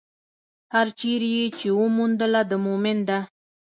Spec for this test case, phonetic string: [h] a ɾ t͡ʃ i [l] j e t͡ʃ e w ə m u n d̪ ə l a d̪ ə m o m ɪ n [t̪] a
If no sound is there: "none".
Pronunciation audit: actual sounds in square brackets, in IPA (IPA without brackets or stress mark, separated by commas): h, ɾ, d̪